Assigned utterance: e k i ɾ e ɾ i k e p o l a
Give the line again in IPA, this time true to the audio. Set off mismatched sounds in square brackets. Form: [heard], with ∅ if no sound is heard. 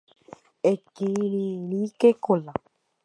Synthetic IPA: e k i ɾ [i] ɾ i k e [k] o l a